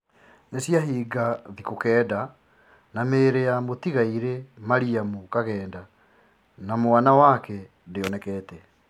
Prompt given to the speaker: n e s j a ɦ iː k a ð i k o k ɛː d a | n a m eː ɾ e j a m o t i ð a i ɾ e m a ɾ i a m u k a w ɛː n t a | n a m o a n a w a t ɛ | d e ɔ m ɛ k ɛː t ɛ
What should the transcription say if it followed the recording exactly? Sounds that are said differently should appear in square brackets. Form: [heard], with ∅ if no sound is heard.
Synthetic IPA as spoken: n e s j a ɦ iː [ɡ] a ð i k o k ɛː d a | n a m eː ɾ e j a m o t i [ɣ] a i ɾ e m a ɾ i a m u k a [ɣ] ɛː n [d] a | n a m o a n a w a [k] ɛ | d e ɔ [n] ɛ k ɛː t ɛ